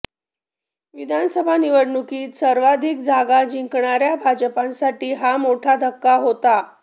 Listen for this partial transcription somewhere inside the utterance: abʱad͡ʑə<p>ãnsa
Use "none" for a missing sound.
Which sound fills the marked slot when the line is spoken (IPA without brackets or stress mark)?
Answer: p